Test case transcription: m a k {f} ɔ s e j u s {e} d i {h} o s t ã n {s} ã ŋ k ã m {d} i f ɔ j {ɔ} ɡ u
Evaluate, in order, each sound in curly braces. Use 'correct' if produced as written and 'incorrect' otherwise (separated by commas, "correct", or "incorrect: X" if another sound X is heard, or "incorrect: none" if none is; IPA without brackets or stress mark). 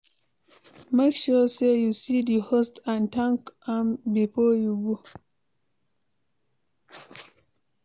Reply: incorrect: ʃ, incorrect: i, correct, incorrect: t, incorrect: b, incorrect: u